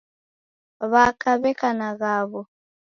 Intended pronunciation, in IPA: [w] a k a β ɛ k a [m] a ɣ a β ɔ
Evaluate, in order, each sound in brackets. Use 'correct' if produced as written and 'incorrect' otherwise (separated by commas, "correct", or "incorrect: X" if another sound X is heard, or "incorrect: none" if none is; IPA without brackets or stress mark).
incorrect: β, incorrect: n